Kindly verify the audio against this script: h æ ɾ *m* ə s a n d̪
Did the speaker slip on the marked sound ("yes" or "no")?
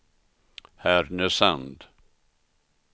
yes